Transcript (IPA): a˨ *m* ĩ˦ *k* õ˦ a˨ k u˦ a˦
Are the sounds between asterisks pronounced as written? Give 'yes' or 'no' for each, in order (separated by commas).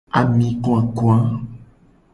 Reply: yes, yes